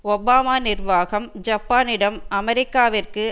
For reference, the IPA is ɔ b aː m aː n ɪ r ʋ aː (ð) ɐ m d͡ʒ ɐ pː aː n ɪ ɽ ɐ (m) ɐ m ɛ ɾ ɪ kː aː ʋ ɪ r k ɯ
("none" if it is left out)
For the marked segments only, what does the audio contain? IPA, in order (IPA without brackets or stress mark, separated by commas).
ɣ, m